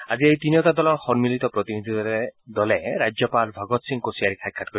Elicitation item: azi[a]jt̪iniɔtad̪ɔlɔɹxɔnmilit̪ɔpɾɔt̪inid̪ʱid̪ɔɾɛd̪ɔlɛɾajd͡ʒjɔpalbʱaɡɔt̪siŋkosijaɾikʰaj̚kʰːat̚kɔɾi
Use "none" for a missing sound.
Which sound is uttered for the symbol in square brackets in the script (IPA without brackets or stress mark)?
e